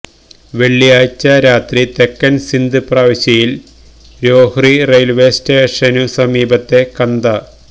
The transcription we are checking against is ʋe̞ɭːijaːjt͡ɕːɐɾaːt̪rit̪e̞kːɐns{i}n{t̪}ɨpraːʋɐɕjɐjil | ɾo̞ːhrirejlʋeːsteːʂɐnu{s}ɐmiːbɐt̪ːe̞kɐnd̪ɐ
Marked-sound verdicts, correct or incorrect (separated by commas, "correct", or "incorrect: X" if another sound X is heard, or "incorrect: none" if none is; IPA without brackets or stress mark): correct, incorrect: d̪, correct